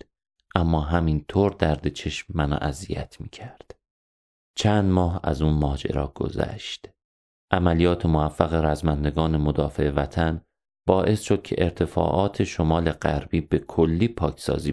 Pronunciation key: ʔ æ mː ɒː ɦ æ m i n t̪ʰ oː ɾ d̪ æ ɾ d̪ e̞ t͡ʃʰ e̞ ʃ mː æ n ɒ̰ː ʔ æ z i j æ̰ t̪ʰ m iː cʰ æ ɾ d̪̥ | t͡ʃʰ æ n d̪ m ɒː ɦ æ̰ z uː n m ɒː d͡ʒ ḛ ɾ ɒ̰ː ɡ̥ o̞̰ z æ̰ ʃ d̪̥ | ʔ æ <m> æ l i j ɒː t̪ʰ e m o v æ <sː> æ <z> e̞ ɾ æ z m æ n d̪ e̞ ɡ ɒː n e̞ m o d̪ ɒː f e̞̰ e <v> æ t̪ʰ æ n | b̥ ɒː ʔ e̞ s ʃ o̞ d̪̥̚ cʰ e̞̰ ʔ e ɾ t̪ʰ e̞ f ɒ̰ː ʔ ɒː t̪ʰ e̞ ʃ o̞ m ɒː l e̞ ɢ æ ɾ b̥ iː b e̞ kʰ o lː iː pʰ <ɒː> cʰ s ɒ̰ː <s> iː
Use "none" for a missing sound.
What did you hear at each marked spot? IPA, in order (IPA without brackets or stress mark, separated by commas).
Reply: m, fː, ɣ, v, ɒː, z